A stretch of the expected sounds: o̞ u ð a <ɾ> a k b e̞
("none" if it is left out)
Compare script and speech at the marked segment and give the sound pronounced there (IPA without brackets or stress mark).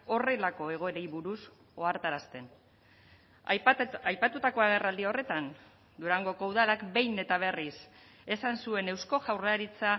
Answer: l